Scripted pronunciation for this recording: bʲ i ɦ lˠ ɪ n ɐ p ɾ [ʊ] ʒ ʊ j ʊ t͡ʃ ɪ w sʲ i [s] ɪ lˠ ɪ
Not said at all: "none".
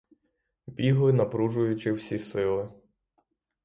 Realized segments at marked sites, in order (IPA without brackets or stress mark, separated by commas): u, s